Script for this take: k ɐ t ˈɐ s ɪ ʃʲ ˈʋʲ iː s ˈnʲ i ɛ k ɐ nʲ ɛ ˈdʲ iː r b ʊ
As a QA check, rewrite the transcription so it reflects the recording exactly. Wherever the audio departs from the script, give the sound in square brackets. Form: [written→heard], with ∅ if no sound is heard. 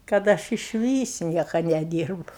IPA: k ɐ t ˈɐ [s→ʃ] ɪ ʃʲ ˈʋʲ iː s ˈnʲ i ɛ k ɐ nʲ ɛ ˈdʲ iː r b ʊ